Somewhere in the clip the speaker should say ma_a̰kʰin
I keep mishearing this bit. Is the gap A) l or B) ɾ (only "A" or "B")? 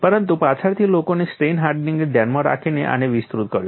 B